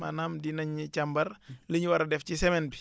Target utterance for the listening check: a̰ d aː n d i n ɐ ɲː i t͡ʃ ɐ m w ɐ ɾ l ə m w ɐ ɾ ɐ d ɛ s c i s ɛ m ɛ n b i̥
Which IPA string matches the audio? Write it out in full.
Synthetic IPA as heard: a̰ n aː m d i n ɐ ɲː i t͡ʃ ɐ m b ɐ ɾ l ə ɲ w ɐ ɾ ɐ d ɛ f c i s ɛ m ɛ n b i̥